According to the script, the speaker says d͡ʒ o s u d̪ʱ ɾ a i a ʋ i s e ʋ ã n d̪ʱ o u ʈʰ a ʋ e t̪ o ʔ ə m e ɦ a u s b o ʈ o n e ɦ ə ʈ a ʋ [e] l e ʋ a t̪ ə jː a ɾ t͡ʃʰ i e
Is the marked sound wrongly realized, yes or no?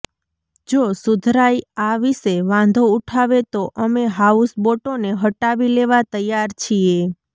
yes